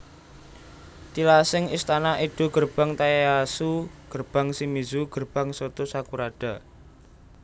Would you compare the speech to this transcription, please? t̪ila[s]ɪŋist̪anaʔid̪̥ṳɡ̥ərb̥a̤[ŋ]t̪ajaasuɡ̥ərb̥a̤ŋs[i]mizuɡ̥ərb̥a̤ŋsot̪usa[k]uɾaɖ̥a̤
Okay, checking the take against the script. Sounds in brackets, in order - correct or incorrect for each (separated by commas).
correct, correct, correct, correct